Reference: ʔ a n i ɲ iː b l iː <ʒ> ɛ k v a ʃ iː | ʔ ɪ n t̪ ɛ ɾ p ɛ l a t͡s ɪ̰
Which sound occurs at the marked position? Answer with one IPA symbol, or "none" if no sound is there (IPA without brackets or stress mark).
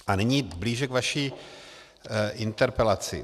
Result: ʒ